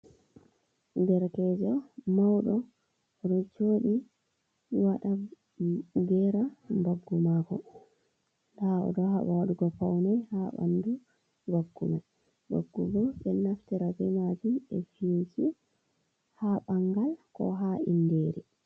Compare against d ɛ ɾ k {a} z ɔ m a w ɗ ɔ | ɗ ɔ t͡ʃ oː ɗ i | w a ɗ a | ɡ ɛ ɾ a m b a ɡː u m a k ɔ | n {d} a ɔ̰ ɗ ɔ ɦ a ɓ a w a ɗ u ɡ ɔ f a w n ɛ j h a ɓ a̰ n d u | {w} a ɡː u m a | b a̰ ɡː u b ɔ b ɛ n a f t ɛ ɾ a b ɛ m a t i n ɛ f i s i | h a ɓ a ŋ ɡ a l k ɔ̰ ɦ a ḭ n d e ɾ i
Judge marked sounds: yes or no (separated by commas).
no, yes, no